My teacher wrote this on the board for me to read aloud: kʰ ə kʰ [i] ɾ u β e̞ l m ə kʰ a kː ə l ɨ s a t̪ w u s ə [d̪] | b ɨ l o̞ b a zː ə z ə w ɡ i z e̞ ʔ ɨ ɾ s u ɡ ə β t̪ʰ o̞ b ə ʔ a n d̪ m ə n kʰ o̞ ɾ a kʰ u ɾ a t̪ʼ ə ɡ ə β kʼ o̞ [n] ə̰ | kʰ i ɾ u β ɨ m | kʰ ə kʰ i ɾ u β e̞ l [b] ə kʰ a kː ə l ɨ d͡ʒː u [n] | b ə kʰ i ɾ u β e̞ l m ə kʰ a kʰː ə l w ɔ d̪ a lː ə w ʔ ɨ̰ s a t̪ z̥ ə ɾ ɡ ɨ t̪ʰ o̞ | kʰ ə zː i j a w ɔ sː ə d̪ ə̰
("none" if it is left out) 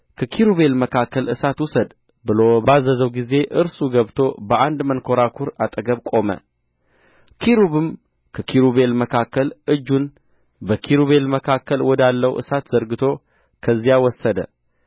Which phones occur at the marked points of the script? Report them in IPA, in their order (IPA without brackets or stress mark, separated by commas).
i, d̪, m, m, n